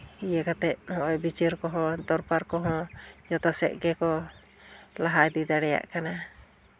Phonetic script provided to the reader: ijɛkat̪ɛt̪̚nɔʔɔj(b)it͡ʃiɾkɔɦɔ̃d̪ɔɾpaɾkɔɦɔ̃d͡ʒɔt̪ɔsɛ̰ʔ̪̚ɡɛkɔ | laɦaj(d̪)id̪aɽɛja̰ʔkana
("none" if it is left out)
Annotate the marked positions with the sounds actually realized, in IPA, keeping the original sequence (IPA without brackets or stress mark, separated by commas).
b, d̪